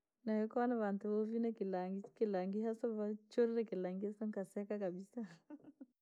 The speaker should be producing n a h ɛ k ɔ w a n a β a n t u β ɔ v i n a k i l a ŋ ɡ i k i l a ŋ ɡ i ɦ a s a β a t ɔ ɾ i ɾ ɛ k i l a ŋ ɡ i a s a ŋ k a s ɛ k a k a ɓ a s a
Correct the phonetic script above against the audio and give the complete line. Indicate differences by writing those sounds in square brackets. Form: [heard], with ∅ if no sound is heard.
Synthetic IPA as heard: n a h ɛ k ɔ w a n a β a n t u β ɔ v i n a k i l a ŋ ɡ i k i l a ŋ ɡ i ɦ a s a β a [t͡ʃ] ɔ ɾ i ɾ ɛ k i l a ŋ ɡ i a s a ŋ k a s ɛ k a k a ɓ [i] s a